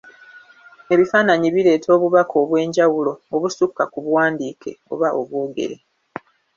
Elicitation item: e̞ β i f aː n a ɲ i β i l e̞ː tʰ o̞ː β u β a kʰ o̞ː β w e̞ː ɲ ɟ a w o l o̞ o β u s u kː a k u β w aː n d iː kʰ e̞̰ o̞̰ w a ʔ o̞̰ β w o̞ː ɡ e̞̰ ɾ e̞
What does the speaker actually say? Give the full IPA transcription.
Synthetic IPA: e̞ β i f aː n a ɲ i β i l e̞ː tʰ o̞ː β u β a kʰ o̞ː β w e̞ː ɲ ɟ a w u l o̞ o β u s u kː a k u β w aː n d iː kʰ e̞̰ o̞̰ β a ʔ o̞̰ β w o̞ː ɡ e̞̰ ɾ e̞